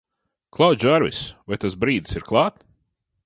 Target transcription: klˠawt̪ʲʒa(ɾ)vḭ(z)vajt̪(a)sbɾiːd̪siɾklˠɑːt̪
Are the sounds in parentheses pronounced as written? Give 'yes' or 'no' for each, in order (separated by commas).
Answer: yes, no, yes